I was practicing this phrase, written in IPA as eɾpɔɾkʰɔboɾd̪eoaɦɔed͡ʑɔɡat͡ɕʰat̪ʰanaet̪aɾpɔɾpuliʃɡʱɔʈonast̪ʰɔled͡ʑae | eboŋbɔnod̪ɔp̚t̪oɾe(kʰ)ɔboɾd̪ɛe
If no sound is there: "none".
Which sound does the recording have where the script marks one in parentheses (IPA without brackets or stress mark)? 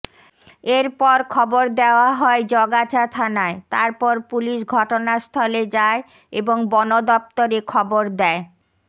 kʰ